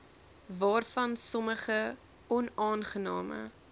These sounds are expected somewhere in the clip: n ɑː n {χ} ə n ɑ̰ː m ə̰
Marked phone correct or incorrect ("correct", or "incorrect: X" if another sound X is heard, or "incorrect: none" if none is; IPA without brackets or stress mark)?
correct